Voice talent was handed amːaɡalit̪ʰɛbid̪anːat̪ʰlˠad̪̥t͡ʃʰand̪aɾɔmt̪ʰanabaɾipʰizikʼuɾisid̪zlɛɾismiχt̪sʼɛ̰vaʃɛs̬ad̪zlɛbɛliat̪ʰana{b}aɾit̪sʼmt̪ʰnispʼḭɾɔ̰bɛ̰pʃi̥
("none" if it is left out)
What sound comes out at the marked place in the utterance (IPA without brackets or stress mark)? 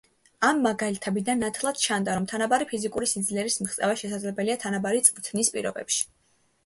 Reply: b